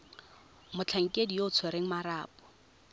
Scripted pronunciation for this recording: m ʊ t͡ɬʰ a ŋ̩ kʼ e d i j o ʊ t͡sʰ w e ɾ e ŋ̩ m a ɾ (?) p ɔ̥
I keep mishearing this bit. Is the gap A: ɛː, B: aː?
B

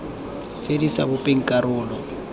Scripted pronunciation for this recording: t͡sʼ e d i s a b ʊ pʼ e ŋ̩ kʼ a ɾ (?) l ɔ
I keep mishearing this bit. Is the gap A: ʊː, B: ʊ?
A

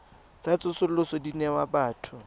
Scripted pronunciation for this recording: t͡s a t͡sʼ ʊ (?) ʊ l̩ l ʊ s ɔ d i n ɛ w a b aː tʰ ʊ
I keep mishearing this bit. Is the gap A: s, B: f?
A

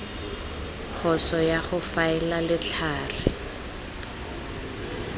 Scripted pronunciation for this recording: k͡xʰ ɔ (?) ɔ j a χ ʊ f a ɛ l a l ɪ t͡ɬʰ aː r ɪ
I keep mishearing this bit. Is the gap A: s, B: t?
A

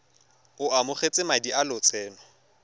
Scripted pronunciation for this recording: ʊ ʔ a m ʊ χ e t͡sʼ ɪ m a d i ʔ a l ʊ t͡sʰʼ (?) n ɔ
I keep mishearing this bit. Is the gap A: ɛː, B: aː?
A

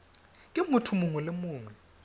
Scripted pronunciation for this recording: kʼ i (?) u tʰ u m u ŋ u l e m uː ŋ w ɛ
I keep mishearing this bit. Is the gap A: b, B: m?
B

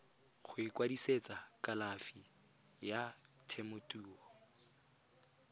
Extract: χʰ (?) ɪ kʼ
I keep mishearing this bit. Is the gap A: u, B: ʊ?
B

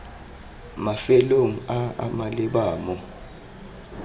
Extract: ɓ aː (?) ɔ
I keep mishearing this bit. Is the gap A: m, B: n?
A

